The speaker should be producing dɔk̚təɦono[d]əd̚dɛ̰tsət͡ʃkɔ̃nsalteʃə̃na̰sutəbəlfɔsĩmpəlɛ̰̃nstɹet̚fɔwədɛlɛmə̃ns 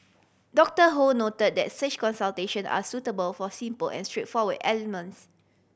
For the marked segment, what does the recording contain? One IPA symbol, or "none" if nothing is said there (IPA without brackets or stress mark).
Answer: t